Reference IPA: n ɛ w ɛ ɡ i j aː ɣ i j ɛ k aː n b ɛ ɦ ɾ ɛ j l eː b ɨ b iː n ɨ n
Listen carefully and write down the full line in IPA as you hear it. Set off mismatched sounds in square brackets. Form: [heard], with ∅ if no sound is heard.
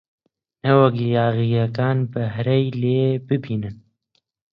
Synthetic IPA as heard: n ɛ w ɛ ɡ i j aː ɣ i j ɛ k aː n b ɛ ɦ ɾ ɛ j l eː b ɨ b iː n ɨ n

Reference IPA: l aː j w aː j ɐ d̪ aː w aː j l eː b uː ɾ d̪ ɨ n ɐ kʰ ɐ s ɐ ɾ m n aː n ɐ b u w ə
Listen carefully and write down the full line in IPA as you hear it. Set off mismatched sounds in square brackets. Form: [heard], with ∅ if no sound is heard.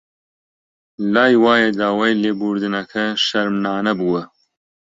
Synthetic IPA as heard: l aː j w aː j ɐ d̪ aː w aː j l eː b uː ɾ d̪ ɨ n ɐ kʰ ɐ [ʃ] ɐ ɾ m n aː n ɐ b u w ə

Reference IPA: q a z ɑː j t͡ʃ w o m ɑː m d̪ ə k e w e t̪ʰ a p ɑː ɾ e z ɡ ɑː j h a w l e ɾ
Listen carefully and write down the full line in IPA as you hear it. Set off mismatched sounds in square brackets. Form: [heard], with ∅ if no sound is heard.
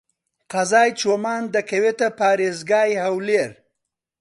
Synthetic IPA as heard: q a z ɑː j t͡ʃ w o m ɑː [n] d̪ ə k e w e [t̪] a p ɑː ɾ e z ɡ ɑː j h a w l e ɾ

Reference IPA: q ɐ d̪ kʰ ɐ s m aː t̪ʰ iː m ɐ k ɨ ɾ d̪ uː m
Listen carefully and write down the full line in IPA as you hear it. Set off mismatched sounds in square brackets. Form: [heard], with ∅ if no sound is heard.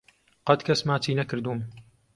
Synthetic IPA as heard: q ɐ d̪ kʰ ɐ s m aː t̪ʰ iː [n] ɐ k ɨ ɾ d̪ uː m

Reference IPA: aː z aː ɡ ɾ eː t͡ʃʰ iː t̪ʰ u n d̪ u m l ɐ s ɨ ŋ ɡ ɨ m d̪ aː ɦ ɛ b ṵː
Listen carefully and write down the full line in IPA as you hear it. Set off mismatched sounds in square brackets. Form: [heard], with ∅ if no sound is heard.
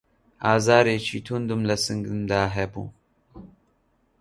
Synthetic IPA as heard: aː z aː [∅] ɾ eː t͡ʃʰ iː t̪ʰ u n d̪ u m l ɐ s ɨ ŋ ɡ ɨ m d̪ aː ɦ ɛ b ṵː

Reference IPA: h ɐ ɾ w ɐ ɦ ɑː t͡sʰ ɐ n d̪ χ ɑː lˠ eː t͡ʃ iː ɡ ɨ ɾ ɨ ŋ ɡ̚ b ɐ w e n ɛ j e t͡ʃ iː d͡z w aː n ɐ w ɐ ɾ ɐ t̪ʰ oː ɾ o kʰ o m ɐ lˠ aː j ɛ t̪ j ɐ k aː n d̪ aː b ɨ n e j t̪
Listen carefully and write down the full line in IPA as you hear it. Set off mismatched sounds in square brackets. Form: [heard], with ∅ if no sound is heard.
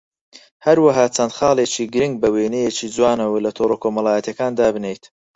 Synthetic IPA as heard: h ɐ ɾ w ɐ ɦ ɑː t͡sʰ ɐ n d̪ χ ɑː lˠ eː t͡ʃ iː ɡ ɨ ɾ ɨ ŋ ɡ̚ b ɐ w e n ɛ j e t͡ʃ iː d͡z w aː n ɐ w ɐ [l] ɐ t̪ʰ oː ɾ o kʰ o m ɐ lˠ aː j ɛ t̪ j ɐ k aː n d̪ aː b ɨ n e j t̪

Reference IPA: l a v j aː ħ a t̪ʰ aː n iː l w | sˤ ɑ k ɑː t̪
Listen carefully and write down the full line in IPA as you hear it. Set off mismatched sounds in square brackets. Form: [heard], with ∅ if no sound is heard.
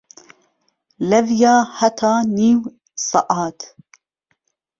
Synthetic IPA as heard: l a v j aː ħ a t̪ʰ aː n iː [∅] w | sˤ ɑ [ʔ] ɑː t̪

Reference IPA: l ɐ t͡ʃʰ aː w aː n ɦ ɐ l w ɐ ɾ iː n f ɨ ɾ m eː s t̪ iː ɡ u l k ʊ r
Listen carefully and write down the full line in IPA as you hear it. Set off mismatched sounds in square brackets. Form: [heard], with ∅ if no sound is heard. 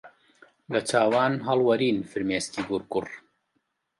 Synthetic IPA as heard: l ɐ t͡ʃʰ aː w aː n ɦ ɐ l w ɐ ɾ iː n f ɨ ɾ m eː s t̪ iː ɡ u [ɾ] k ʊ r

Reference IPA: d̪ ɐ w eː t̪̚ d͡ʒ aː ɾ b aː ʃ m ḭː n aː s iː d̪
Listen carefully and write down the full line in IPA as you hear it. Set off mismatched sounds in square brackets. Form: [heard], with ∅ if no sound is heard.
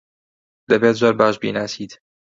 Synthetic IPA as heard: d̪ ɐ [b] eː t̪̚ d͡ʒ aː ɾ b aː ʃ [b] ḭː n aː s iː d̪

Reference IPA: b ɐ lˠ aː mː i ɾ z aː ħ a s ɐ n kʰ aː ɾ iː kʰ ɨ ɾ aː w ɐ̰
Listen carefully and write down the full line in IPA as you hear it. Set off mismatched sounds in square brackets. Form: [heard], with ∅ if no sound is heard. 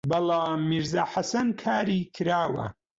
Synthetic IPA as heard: b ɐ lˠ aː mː i ɾ z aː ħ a s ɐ n kʰ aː ɾ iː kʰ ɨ ɾ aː w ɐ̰

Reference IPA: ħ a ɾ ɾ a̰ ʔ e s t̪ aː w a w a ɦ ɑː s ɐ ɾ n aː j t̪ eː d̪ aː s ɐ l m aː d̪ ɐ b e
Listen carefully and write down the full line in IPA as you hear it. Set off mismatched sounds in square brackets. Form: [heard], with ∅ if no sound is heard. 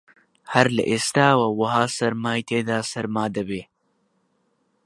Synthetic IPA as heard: [h] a ɾ [l] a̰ ʔ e s t̪ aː w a w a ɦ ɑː s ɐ ɾ [m] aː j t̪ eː d̪ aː s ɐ [ɾ] m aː d̪ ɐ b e

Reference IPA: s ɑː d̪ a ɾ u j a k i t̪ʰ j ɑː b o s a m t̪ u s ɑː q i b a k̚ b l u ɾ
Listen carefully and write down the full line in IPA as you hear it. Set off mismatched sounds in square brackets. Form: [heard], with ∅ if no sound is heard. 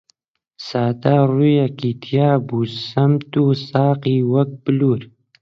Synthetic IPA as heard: s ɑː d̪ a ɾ u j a k i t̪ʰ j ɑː b [u] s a m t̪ u s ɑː q i [w] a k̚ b l u ɾ

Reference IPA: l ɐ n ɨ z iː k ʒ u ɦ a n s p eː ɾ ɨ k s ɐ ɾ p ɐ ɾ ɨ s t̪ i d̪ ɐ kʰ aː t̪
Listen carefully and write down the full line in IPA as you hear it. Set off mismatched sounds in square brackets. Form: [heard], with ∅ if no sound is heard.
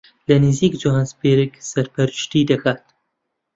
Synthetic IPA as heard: l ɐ n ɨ z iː k [d͡ʒ] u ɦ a n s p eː ɾ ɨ k s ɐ ɾ p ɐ ɾ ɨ [ʃ] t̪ i d̪ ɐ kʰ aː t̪

